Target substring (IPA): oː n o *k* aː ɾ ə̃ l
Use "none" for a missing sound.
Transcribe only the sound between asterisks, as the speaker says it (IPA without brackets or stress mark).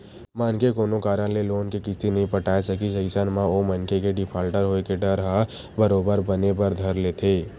k